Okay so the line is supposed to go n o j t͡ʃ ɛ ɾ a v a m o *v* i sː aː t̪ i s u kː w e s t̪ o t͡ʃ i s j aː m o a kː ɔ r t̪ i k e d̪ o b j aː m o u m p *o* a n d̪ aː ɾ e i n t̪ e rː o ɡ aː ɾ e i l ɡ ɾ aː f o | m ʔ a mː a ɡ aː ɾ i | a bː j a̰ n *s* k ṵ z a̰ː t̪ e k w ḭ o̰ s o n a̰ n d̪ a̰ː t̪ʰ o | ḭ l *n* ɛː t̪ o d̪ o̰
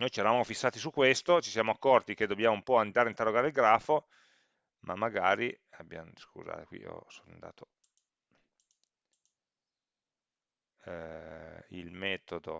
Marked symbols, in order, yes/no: no, no, yes, no

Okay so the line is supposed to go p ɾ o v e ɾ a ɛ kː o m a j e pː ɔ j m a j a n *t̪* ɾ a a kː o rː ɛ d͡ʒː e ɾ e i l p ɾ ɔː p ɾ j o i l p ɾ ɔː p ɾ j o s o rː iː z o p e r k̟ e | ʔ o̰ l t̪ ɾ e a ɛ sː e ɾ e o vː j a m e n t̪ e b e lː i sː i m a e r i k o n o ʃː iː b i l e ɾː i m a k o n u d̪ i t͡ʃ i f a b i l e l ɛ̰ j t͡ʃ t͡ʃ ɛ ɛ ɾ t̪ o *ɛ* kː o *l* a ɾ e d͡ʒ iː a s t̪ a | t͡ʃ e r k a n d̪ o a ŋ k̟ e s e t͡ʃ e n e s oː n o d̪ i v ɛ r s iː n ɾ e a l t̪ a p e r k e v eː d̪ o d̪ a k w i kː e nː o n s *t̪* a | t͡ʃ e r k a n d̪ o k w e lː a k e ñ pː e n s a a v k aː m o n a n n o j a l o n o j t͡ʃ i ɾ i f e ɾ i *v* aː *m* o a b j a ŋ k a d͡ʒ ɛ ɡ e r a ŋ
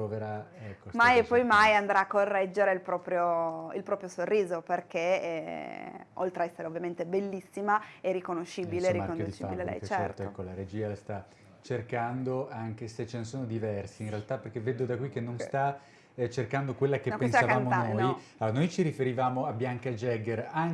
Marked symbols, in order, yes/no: no, yes, yes, yes, yes, yes

